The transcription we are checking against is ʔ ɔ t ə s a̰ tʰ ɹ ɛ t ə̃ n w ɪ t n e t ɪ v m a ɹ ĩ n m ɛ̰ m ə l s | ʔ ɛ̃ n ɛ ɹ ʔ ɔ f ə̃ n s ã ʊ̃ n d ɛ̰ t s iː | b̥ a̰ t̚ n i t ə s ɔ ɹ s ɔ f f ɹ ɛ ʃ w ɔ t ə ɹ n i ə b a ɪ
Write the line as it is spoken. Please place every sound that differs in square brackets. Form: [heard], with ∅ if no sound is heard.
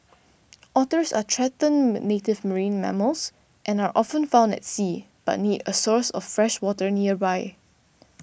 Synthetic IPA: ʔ ɔ t ə s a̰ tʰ ɹ ɛ t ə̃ n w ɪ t n e t ɪ v m [ə] ɹ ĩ n m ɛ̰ m ə l s | ʔ ɛ̃ n [a] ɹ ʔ ɔ f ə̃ n [f] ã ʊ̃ n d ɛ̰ t s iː | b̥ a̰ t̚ n i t ə s ɔ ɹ s ɔ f f ɹ ɛ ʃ w ɔ t ə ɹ n i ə b a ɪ